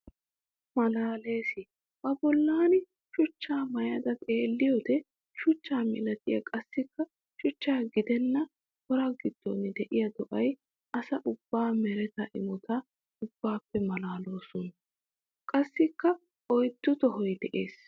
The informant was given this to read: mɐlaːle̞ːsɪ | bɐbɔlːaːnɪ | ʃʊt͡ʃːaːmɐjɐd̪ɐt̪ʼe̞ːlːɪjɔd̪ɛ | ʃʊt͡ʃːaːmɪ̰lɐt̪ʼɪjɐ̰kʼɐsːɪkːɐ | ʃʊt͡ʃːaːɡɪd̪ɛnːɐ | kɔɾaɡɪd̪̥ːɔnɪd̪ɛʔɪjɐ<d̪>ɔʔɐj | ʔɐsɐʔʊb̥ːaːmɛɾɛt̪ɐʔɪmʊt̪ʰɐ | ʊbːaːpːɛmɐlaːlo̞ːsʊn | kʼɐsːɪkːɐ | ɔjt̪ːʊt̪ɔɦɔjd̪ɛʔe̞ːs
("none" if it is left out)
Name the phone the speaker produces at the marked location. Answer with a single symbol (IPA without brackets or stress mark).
d̪